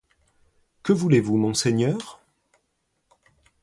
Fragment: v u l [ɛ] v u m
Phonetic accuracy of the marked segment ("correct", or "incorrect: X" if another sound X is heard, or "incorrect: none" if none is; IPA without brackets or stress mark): incorrect: e